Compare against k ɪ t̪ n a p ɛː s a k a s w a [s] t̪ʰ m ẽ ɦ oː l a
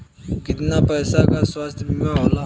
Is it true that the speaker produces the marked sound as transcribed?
yes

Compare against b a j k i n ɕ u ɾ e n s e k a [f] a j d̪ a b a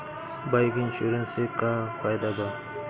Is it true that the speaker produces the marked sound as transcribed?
yes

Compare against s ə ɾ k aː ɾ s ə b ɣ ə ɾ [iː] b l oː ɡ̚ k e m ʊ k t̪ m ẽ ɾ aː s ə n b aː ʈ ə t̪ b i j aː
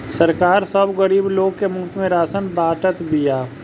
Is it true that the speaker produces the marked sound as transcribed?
yes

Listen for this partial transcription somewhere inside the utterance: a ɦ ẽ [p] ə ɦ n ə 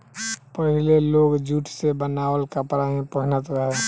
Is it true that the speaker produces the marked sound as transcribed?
yes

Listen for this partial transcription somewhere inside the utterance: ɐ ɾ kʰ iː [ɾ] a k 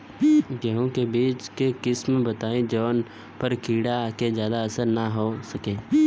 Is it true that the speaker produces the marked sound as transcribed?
no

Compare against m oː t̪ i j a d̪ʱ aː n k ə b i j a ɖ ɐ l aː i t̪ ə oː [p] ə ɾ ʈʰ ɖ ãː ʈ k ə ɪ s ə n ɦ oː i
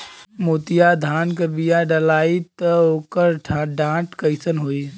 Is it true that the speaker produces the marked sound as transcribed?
no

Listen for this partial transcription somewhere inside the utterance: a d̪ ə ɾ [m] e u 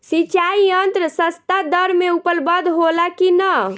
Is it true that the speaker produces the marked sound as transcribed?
yes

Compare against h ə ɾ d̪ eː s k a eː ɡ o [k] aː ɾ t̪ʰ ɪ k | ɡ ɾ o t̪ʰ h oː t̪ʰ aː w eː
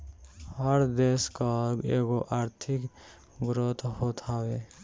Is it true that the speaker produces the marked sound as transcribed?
no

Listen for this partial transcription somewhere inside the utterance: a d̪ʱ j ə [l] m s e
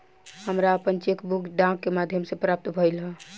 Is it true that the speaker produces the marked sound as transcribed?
no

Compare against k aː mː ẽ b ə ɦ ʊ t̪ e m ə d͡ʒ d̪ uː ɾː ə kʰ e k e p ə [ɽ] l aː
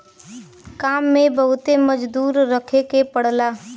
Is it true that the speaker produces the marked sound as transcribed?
yes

